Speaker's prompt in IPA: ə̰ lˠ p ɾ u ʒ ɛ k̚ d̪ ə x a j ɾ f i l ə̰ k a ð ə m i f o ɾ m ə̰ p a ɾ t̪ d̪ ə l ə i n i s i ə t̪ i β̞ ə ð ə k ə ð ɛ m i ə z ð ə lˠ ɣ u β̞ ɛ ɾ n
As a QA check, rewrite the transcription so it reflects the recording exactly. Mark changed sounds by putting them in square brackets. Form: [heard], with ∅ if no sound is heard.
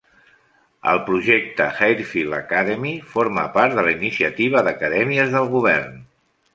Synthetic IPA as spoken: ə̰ lˠ p ɾ u ʒ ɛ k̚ [t̪] ə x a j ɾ f i l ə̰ k a ð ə m i f o ɾ m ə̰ p a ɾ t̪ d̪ ə l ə i n i s i ə t̪ i β̞ ə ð ə k ə ð ɛ m i ə z ð ə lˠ ɣ u β̞ ɛ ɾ n